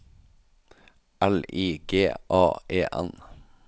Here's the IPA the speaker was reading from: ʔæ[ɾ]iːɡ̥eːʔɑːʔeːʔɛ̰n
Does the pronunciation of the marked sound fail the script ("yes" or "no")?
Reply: yes